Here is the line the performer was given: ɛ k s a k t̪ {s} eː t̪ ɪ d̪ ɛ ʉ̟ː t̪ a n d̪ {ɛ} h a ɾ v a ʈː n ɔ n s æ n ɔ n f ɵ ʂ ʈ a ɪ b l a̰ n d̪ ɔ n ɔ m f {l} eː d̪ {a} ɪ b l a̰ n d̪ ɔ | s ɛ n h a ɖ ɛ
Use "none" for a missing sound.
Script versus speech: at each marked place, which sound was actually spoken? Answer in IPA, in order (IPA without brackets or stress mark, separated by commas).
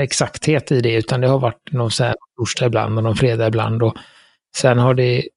h, ɛ, ɾ, a